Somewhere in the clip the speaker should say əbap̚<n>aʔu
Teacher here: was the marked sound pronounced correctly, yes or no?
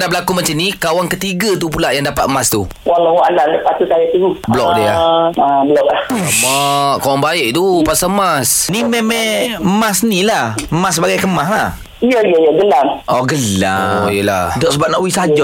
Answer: yes